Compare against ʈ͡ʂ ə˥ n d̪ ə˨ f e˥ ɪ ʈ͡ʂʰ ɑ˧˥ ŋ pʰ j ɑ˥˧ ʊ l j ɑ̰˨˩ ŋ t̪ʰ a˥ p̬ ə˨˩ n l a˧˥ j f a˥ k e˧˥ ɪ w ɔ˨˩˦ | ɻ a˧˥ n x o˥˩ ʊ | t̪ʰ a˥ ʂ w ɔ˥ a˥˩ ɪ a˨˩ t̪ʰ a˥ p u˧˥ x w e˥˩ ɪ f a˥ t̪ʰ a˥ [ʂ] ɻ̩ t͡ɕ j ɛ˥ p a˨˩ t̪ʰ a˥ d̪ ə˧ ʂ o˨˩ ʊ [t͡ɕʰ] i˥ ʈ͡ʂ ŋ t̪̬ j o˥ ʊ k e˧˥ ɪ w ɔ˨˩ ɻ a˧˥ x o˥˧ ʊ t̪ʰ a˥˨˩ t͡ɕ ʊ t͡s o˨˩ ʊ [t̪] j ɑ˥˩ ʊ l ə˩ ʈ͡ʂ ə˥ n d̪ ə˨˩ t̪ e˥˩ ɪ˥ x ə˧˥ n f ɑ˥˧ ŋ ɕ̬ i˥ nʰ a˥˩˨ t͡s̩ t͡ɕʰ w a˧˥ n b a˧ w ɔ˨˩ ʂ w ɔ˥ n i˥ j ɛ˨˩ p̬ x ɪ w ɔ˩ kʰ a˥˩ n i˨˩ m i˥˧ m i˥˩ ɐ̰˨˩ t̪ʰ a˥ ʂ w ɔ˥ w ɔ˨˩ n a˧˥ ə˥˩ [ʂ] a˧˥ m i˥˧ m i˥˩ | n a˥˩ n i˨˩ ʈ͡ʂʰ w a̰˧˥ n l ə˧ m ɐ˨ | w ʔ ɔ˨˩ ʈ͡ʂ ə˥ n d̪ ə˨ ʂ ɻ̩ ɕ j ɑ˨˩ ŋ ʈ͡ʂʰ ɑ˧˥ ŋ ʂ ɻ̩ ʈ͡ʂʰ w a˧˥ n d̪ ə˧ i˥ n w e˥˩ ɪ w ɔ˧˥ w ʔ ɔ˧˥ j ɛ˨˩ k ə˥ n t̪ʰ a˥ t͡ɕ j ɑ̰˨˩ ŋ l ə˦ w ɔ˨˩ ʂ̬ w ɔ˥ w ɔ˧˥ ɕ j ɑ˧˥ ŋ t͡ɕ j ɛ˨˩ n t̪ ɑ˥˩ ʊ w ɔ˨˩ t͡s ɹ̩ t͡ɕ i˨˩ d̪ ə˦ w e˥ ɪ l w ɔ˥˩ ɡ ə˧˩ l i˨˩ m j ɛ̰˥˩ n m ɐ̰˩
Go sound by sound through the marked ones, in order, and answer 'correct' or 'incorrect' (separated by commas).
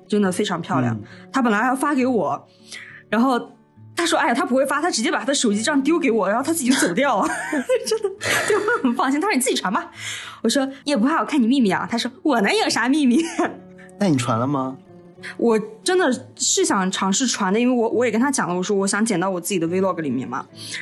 incorrect, incorrect, correct, correct